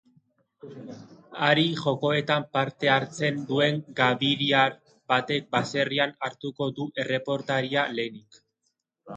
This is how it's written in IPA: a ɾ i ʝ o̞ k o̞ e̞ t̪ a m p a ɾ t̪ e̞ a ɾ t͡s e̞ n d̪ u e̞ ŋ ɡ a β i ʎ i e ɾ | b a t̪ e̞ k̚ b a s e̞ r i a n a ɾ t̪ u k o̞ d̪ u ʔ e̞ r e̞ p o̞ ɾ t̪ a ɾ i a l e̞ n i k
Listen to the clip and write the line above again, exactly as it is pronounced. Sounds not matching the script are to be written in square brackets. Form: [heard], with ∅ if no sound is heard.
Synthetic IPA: a ɾ i ʝ o̞ k o̞ e̞ t̪ a m p a ɾ t̪ e̞ a ɾ t͡s e̞ n d̪ u e̞ ŋ ɡ a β i [ɾ] i [a] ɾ | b a t̪ e̞ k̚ b a s e̞ r i a n a ɾ t̪ u k o̞ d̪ u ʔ e̞ r e̞ p o̞ ɾ t̪ a ɾ i a l e̞ n i k